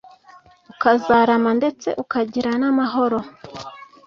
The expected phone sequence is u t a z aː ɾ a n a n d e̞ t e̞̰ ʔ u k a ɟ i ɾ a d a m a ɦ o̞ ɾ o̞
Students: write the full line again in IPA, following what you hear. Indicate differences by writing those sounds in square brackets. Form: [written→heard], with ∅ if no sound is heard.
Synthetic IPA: u [t→k] a z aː ɾ a [n→m] a n d e̞ [t→t͡s] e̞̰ ʔ u k a ɟ i ɾ a [d→n] a m a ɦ o̞ ɾ o̞